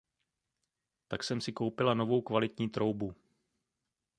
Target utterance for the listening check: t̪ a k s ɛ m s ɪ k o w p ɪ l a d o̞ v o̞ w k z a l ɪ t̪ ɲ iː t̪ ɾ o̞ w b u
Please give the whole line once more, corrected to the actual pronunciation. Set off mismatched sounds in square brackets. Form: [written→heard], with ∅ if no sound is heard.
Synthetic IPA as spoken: t̪ a k s ɛ m s ɪ k o w p ɪ l a [d→n] o̞ v o̞ w k [z→v] a l ɪ t̪ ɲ iː t̪ ɾ o̞ w b u